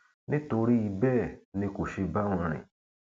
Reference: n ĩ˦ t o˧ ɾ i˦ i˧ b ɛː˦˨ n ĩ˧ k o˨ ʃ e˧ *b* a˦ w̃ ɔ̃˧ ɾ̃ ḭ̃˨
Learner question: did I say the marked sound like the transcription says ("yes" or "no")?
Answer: yes